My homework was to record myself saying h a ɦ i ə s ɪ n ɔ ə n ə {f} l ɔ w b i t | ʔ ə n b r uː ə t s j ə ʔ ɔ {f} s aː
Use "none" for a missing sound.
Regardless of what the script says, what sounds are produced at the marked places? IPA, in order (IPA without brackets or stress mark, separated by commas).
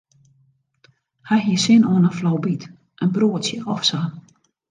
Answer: f, f